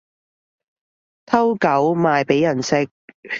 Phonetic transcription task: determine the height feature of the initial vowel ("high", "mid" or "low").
low